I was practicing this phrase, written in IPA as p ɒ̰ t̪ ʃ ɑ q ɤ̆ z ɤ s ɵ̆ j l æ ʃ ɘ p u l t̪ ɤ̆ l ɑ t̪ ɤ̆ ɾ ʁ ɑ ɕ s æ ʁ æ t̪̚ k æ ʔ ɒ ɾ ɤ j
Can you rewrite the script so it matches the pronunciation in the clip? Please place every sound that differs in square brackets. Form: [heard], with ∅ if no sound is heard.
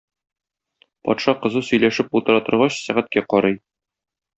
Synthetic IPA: p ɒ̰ t̪ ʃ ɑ q ɤ̆ z ɤ s ɵ̆ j l æ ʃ ɘ p u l t̪ ɤ̆ [ɾ] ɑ t̪ ɤ̆ ɾ ʁ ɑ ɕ s æ ʁ æ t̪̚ k æ [q] ɒ ɾ ɤ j